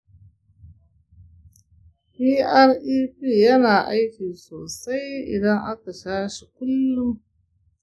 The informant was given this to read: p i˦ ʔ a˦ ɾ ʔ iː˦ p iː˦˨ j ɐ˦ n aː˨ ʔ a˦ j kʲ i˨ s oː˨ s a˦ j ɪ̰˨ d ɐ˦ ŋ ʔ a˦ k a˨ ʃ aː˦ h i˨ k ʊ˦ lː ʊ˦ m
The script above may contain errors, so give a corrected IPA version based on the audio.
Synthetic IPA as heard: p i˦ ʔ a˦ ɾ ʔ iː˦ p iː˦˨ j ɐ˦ n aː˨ ʔ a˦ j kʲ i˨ s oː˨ s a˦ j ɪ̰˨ d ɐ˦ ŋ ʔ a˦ k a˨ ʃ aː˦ ʃ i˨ k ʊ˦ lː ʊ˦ m